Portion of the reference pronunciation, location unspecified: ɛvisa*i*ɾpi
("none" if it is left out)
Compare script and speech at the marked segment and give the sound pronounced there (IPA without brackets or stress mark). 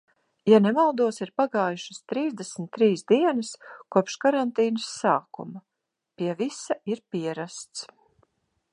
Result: i